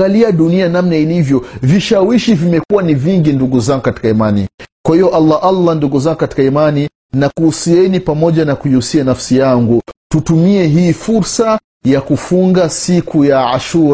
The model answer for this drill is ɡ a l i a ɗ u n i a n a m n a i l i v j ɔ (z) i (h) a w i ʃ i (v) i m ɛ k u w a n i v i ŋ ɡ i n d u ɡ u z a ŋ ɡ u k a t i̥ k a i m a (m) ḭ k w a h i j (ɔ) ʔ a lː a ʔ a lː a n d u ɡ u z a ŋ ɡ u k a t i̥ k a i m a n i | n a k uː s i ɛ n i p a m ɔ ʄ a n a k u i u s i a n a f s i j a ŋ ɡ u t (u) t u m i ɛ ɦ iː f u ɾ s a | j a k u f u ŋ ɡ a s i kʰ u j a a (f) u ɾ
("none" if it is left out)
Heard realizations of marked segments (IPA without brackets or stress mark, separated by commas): v, ʃ, v, n, ɔ, u, ʃ